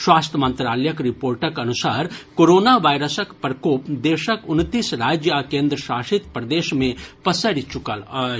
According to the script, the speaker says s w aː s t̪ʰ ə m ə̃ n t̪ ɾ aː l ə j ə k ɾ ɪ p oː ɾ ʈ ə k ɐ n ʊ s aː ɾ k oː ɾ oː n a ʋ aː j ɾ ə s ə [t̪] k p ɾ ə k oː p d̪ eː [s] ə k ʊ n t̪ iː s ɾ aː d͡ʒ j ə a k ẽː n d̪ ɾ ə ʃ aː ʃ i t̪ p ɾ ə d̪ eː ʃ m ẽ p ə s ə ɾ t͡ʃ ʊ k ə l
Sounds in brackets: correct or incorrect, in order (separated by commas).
incorrect, incorrect